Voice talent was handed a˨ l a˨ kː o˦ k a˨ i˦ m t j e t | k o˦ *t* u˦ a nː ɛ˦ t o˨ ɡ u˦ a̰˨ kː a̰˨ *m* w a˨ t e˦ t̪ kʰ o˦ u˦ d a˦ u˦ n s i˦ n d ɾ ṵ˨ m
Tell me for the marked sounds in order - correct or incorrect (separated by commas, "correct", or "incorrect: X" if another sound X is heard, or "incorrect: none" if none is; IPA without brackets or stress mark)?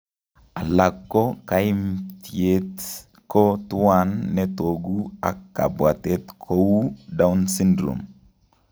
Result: correct, incorrect: b